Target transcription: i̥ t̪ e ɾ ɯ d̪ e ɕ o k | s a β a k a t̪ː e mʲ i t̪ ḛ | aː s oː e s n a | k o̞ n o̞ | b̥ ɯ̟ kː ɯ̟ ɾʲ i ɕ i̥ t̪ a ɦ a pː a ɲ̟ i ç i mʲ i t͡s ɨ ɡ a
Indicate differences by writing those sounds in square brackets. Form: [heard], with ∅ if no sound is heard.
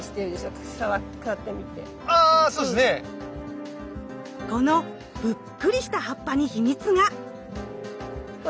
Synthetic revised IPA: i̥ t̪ e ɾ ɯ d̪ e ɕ o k | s a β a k a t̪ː e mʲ i t̪ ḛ | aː s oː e s n [e] | k o̞ n o̞ | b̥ ɯ̟ kː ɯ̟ ɾʲ i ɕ i̥ t̪ a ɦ a pː a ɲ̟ i ç i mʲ i t͡s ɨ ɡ a